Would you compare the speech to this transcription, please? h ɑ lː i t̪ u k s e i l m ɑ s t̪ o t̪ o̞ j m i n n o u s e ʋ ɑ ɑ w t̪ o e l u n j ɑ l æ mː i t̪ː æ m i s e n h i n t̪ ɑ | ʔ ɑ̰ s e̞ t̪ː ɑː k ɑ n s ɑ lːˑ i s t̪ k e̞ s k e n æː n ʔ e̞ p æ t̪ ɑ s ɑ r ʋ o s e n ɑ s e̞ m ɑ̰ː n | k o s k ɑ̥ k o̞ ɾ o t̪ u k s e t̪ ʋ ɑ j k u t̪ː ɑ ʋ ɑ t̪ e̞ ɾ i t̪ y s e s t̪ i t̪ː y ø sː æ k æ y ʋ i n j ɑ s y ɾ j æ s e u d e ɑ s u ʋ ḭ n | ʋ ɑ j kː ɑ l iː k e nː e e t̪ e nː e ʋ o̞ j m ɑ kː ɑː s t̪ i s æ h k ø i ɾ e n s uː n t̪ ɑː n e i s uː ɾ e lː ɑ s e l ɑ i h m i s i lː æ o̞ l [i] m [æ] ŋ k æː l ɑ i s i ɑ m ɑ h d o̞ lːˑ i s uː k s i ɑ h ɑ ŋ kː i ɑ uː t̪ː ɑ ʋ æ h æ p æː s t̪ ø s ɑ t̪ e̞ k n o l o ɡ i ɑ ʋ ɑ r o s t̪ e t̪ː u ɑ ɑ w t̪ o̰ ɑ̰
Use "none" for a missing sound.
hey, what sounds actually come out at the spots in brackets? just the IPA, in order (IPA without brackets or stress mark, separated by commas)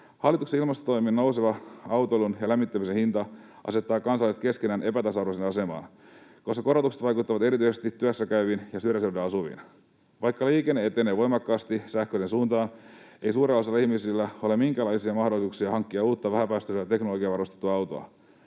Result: e, i